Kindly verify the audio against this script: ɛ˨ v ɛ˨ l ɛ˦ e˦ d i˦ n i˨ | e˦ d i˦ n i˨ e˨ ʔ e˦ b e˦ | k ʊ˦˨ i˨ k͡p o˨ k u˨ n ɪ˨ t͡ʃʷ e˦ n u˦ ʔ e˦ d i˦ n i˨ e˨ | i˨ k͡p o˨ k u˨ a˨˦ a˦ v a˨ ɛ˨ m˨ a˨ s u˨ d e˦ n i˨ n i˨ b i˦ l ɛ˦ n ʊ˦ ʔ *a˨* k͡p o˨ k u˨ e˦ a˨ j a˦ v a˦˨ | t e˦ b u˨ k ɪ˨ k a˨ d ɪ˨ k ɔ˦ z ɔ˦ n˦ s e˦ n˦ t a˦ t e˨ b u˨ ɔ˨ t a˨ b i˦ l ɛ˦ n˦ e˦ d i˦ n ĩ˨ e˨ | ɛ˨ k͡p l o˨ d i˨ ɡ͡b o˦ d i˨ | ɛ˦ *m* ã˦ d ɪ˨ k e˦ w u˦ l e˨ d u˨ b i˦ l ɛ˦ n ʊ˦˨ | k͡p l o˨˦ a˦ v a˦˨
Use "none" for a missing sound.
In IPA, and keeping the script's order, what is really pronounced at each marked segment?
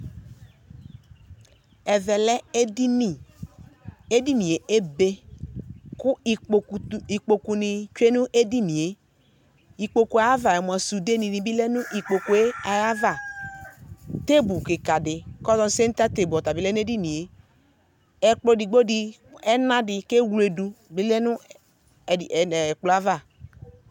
i˨, n

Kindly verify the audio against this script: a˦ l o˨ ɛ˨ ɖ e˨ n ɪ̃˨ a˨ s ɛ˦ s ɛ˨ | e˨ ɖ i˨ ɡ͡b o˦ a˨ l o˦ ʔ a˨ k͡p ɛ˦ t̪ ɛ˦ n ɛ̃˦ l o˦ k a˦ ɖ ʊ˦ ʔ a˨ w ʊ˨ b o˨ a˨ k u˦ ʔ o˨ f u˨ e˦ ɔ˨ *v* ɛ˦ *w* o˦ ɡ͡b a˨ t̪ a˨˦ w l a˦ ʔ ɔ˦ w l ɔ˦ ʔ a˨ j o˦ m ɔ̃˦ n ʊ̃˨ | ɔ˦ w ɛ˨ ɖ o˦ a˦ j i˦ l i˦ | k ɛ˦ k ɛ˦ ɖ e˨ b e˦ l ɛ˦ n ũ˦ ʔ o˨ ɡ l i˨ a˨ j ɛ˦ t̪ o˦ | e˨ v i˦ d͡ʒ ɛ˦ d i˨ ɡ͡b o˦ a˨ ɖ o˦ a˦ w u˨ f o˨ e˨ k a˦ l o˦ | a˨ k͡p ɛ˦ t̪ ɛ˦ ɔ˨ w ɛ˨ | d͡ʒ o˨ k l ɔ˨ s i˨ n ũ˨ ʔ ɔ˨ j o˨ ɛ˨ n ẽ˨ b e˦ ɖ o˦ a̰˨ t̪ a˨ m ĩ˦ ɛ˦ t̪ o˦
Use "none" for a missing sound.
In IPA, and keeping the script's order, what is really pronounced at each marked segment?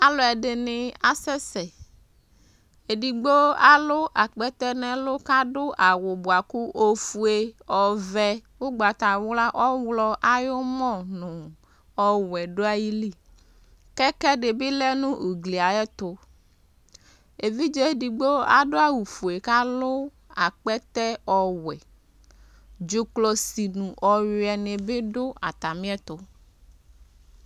v, w

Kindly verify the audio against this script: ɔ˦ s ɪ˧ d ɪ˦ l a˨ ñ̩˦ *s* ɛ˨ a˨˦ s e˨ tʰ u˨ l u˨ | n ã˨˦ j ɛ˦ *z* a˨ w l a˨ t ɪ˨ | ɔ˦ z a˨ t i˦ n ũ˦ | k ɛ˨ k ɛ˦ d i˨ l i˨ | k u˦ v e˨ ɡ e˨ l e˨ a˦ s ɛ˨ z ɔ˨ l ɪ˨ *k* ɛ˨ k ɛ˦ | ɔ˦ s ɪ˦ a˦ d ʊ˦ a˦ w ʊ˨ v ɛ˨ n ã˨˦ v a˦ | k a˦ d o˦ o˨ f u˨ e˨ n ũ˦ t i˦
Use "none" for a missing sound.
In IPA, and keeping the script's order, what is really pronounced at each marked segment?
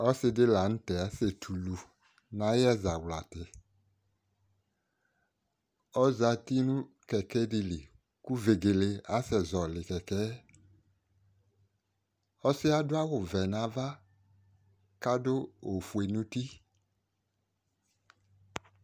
t, z, k

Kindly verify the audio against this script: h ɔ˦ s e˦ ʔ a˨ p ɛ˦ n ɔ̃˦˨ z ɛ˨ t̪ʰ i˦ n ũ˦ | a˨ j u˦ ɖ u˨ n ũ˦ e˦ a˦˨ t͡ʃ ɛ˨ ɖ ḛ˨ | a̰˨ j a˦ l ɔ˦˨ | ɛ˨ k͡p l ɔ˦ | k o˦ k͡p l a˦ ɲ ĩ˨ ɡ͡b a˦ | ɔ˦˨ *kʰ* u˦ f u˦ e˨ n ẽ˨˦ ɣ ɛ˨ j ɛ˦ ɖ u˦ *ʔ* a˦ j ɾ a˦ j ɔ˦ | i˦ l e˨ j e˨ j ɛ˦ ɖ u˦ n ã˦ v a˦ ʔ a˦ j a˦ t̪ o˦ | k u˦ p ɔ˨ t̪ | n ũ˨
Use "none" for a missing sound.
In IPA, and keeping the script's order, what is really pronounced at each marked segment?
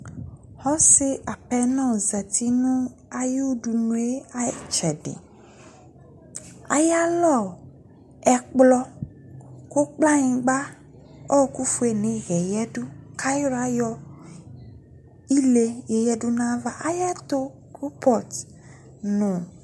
k, k

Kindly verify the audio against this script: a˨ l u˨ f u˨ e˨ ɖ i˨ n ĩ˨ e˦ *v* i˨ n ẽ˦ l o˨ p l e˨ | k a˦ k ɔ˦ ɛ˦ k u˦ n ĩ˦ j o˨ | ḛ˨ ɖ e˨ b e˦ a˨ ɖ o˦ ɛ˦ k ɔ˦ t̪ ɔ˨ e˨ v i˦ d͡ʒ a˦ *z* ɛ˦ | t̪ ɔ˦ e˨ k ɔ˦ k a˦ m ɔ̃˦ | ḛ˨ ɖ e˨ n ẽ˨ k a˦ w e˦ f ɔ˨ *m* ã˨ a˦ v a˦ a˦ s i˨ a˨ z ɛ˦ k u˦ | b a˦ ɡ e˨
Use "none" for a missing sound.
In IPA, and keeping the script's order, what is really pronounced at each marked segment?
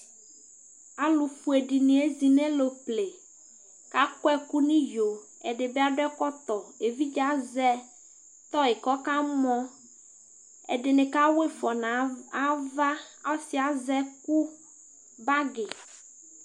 z, z, n

